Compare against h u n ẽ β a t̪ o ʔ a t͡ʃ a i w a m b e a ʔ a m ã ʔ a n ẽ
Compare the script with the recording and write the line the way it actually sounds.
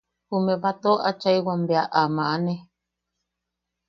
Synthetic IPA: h u m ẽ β a t̪ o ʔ a t͡ʃ a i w a m b e a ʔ a m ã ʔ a n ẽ